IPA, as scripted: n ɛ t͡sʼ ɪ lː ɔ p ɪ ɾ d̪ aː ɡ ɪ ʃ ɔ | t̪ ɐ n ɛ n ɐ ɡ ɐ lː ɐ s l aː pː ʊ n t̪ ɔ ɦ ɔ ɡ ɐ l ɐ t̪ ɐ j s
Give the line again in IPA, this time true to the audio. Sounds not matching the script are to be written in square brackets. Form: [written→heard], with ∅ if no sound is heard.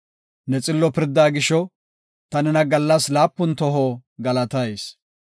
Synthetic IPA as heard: n ɛ t͡sʼ ɪ lː ɔ p ɪ ɾ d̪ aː ɡ ɪ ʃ ɔ | t̪ ɐ n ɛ n ɐ ɡ ɐ lː ɐ s l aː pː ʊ n t̪ ɔ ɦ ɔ ɡ ɐ l ɐ t̪ ɐ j s